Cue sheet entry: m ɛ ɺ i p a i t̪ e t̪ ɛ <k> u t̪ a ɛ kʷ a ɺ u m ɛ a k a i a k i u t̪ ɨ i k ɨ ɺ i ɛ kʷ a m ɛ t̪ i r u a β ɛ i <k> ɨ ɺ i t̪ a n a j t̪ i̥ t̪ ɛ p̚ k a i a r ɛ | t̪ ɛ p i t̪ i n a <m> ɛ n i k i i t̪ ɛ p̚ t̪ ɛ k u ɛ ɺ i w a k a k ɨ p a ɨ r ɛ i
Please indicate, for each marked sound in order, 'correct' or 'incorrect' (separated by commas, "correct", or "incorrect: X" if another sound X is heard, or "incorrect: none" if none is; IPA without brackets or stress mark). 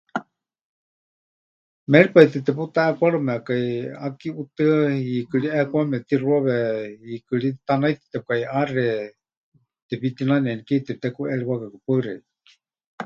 incorrect: p, correct, incorrect: n